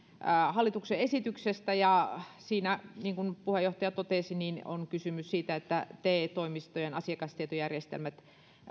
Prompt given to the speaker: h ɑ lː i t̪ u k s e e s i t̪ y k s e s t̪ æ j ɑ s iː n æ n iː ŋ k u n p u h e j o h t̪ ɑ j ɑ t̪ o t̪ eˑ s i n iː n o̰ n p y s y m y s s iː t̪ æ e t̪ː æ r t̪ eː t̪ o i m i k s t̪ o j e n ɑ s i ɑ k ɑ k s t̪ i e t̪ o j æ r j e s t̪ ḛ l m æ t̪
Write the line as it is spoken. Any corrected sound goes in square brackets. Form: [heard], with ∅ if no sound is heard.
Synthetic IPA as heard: h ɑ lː i t̪ u k s e e s i t̪ y k s e s t̪ æ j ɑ s iː n æ n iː ŋ k u n p u h e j o h t̪ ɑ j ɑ t̪ o t̪ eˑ s i n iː n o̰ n [k] y s y m y s s iː t̪ æ e t̪ː æ [∅] t̪ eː t̪ o i m i [∅] s t̪ o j e n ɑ s i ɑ k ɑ [∅] s t̪ i e t̪ o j æ r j e s t̪ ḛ l m æ t̪